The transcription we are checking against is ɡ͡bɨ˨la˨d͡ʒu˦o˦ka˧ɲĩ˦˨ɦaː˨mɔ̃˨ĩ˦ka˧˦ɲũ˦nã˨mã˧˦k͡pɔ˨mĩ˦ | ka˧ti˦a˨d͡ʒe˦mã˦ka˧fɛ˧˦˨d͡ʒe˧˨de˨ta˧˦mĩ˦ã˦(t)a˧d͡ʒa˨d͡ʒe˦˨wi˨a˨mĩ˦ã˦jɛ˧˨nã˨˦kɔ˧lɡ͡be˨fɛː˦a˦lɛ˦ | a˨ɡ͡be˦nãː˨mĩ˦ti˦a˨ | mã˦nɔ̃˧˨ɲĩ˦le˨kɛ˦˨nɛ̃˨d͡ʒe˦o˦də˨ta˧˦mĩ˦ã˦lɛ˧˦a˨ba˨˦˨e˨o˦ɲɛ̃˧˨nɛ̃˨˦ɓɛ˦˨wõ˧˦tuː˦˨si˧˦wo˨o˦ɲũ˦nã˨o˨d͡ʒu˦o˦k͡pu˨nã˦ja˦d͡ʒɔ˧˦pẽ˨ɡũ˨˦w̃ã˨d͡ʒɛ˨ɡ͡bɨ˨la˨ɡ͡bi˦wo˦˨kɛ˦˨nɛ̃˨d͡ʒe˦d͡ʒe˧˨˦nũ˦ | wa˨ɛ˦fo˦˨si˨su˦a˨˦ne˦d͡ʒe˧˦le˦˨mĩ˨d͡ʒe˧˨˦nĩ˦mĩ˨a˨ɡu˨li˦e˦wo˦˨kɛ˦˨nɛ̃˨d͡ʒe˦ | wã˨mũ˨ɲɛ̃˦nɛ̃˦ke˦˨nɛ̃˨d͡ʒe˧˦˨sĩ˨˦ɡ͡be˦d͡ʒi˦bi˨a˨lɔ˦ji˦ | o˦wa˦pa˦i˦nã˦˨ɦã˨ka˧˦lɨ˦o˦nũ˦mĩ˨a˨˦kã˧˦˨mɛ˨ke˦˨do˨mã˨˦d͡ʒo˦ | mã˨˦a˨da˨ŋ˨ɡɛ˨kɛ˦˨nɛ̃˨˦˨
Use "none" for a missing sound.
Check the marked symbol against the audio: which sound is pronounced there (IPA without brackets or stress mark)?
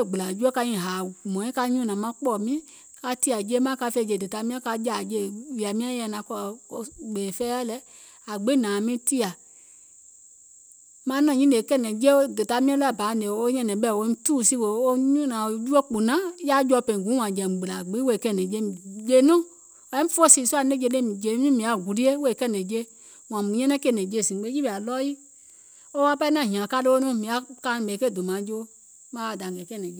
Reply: k